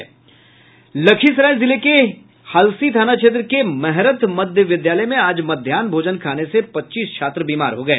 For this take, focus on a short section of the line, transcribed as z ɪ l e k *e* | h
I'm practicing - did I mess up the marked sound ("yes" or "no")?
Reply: no